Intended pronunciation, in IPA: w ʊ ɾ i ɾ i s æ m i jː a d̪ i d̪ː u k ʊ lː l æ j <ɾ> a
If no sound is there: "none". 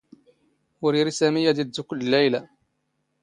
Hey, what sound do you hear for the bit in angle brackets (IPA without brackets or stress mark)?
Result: l